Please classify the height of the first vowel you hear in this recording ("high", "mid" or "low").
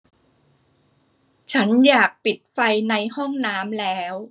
low